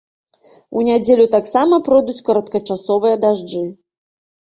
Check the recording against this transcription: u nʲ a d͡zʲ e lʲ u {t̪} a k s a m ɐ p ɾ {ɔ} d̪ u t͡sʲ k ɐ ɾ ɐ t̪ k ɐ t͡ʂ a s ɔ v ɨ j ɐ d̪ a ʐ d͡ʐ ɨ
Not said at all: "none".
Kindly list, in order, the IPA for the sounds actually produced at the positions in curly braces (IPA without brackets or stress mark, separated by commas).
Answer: t̪, ɔ